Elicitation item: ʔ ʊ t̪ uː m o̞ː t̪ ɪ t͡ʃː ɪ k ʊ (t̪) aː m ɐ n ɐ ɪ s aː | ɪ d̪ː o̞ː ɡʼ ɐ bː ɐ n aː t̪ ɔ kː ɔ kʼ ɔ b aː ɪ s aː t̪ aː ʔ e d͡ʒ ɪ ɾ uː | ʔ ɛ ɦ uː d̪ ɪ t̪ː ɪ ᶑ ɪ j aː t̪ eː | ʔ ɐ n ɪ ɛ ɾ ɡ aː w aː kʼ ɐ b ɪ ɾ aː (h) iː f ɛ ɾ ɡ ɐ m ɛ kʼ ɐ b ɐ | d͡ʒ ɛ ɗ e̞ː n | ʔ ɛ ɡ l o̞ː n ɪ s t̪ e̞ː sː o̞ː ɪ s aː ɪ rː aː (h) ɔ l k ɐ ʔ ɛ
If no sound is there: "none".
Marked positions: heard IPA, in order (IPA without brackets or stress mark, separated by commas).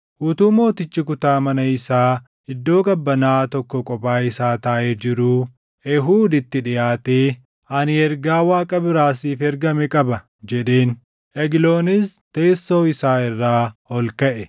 t̪, s, h